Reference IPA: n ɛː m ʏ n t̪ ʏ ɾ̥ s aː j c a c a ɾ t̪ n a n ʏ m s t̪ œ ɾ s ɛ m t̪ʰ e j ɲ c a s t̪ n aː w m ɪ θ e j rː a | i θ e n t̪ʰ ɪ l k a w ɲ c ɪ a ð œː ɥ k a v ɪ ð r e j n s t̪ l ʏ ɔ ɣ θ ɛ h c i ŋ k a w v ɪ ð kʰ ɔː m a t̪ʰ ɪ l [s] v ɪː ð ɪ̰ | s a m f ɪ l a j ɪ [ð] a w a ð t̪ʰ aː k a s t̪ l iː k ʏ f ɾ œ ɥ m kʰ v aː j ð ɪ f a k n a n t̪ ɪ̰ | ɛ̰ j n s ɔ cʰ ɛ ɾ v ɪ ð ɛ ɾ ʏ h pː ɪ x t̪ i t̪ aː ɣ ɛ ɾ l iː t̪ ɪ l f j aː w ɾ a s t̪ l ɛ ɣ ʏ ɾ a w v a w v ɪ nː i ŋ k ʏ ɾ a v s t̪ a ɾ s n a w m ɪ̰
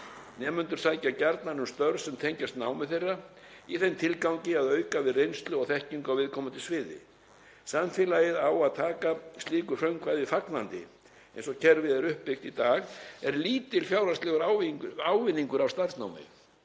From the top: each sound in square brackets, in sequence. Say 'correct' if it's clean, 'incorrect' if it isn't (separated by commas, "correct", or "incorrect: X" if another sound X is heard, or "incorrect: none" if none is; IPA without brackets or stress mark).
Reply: correct, correct